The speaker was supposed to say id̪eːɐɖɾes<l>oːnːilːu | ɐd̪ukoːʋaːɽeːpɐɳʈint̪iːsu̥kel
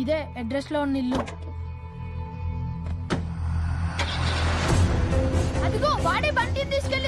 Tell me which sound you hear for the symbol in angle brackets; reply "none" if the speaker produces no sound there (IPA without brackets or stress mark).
l